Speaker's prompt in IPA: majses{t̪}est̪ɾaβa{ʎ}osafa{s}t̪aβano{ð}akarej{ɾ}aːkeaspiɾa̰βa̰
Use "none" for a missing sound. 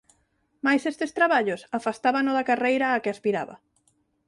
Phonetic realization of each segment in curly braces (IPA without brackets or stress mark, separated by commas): t̪, ʎ, s, ð, ɾ